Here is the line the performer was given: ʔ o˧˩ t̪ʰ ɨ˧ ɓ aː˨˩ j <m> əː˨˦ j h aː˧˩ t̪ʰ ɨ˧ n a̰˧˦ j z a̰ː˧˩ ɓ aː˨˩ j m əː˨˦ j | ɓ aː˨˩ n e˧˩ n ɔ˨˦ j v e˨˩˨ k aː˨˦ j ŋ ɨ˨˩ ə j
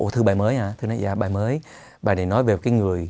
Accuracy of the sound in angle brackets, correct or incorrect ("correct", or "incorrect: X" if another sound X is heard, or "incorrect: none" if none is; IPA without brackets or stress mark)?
correct